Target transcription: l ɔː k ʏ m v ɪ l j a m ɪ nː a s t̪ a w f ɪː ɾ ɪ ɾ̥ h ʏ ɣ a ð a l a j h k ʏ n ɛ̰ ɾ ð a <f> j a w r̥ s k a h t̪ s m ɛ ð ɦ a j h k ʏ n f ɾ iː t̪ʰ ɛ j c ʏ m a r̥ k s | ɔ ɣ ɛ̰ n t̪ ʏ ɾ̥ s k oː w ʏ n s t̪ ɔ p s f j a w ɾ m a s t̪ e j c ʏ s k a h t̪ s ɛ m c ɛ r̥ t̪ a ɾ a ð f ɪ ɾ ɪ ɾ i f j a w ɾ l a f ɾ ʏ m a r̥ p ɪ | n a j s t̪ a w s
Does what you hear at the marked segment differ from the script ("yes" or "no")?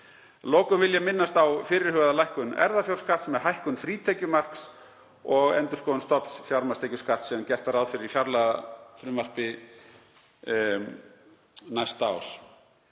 no